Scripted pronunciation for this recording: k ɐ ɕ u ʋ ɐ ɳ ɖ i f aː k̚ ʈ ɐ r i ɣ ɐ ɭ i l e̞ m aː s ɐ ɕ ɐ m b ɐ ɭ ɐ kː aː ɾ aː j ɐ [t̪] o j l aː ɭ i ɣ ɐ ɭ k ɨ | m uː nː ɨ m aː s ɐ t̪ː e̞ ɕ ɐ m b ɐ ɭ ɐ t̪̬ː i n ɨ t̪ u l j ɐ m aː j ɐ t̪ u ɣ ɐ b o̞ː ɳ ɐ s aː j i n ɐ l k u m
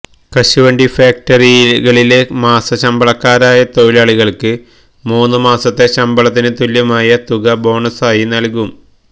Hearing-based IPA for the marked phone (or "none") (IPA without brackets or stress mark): t̪